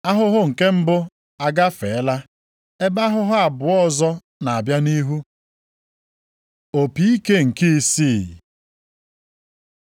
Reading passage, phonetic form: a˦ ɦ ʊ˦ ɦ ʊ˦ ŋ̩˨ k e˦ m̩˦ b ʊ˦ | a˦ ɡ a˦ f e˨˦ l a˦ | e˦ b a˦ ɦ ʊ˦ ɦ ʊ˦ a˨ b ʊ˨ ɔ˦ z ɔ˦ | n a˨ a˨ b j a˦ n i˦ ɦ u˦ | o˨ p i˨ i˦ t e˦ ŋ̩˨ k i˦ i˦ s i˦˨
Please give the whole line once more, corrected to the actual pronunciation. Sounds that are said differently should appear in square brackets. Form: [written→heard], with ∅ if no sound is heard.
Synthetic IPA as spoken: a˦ ɦ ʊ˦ ɦ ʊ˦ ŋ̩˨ k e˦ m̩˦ b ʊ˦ | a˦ ɡ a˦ f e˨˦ l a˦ | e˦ b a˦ ɦ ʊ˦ ɦ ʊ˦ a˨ b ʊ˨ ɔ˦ z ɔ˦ | n a˨ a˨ b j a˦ n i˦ ɦ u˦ | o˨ p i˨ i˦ [t→k] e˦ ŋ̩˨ k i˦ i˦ s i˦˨

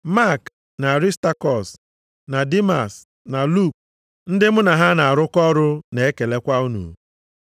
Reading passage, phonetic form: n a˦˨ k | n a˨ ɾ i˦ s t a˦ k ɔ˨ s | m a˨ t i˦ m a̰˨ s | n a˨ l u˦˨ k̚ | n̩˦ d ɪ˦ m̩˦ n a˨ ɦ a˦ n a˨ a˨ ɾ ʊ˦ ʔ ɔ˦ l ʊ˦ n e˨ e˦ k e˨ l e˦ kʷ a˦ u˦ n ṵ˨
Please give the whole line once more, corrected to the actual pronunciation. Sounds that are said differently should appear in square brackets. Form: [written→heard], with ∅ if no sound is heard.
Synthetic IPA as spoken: [n→m] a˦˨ k | n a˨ ɾ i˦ s t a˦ k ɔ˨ s | [m→n] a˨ [t→d] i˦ m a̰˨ s | n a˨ l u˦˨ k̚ | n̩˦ d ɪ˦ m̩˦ n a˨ ɦ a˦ n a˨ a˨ ɾ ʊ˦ [ʔ→k] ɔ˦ [l→ɾ] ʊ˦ n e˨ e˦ k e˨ l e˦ kʷ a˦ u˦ n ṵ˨

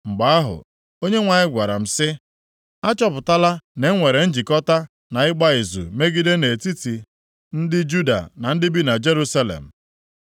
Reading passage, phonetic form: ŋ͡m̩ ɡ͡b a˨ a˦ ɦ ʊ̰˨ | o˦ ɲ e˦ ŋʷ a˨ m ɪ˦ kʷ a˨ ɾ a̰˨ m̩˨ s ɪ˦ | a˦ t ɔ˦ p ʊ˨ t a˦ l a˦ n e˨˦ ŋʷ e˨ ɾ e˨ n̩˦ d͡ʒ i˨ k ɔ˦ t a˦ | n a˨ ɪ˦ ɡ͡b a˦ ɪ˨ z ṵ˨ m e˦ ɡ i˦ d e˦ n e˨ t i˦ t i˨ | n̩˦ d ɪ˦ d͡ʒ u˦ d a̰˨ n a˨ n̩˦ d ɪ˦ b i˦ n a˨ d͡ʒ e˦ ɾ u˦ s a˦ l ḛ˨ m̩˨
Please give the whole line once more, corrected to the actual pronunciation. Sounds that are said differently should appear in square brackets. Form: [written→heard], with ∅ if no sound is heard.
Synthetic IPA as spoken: ŋ͡m̩ ɡ͡b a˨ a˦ ɦ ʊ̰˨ | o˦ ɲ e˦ ŋʷ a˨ [m→ɲ] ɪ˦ [kʷ→ɡʷ] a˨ ɾ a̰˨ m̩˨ s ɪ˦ | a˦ [t→t͡ʃ] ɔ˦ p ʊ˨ t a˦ l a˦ n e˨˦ ŋʷ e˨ ɾ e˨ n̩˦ d͡ʒ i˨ k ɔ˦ t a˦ | n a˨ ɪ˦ ɡ͡b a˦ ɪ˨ z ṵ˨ m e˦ ɡ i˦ d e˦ n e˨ t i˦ t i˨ | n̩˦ d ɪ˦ d͡ʒ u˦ d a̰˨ n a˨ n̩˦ d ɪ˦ b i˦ n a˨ d͡ʒ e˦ ɾ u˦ s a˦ l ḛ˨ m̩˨

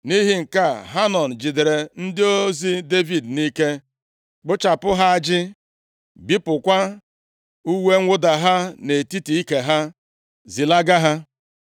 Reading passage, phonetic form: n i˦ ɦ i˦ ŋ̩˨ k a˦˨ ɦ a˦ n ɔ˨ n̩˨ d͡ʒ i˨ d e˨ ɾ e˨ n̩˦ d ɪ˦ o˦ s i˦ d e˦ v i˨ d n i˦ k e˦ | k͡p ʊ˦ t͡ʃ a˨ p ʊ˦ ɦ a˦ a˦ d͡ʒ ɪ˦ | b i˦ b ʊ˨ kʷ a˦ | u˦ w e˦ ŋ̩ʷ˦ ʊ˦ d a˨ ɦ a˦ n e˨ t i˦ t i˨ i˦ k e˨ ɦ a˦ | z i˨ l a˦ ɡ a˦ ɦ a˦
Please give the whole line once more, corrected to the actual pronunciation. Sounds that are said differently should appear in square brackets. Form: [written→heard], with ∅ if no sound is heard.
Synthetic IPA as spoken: n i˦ ɦ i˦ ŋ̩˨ k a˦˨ ɦ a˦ n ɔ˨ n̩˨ d͡ʒ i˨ d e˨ ɾ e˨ n̩˦ d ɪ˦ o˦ [s→z] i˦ d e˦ v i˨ d n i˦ k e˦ | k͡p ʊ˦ t͡ʃ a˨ p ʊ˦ ɦ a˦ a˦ d͡ʒ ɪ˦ | b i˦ [b→p] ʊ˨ kʷ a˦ | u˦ w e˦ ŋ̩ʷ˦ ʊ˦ d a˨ ɦ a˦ n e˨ t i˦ t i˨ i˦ k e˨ ɦ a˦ | z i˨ l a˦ ɡ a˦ ɦ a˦

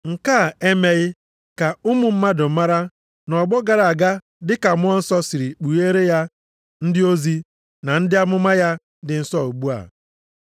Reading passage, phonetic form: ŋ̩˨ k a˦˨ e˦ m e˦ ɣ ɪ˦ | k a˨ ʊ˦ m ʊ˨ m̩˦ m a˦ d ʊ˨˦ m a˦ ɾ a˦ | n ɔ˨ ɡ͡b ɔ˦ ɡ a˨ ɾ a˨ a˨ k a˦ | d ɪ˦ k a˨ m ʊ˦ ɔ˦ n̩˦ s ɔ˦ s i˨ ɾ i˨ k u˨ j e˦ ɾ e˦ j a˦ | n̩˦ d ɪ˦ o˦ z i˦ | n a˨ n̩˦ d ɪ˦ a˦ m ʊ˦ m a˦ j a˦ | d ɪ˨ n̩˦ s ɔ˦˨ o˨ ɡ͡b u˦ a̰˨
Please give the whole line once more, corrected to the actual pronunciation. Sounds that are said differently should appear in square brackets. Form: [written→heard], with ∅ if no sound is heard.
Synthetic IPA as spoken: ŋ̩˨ k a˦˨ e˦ m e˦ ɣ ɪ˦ | k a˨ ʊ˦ m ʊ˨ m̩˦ m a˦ d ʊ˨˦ m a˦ ɾ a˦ | n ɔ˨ ɡ͡b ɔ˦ ɡ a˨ ɾ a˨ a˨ [k→ɡ] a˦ | d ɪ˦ k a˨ m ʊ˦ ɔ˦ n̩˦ s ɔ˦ s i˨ ɾ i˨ [k→k͡p] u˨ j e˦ ɾ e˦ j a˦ | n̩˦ d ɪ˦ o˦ z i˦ | n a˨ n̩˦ d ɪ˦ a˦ m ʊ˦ m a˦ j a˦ | d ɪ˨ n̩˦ s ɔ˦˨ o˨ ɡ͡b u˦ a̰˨

